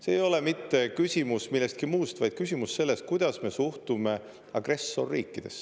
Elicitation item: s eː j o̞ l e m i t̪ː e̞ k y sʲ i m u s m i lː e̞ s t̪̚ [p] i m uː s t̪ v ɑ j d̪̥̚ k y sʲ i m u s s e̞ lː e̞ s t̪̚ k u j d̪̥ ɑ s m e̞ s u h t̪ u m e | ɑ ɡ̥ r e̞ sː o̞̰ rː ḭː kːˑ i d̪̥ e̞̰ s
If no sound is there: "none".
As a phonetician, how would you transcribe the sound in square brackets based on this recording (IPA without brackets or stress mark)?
k